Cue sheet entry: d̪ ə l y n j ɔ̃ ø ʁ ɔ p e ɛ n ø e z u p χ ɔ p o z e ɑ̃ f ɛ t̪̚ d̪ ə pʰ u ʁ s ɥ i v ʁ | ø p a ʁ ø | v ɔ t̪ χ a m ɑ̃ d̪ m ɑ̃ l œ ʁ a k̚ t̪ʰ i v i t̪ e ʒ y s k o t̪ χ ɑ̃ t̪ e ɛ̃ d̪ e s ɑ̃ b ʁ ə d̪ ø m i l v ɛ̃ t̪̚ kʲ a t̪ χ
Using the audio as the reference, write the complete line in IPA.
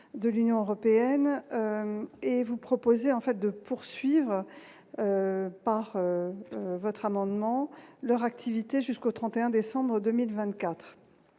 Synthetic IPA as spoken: d̪ ə l y n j ɔ̃ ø ʁ ɔ p e ɛ n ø e v u p χ ɔ p o z e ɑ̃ f ɛ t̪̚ d̪ ə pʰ u ʁ s ɥ i v ʁ | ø p a ʁ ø | v ɔ t̪ χ a m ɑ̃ d̪ m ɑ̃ l œ ʁ a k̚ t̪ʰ i v i t̪ e ʒ y s k o t̪ χ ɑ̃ t̪ e ɛ̃ d̪ e s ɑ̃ b ʁ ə d̪ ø m i l v ɛ̃ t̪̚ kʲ a t̪ χ